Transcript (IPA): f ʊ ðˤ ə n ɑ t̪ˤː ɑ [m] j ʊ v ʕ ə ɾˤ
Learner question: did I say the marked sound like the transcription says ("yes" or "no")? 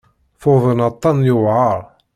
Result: no